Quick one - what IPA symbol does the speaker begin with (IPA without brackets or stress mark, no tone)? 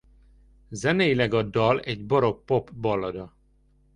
z